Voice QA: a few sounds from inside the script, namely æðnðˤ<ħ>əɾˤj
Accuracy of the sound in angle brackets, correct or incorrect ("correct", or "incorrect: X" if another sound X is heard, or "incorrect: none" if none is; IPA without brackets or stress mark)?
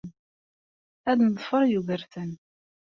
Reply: incorrect: f